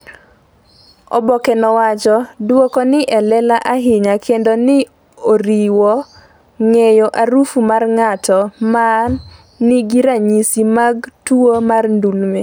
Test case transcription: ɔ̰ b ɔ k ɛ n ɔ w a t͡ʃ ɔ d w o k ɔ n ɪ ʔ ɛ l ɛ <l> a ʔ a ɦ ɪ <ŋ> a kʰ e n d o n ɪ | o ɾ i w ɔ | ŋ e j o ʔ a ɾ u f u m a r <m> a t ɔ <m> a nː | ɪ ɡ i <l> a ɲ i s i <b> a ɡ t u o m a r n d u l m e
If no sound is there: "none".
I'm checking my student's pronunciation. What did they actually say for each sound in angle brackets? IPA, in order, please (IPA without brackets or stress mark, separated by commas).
l, ɲ, ŋ, m, ɾ, m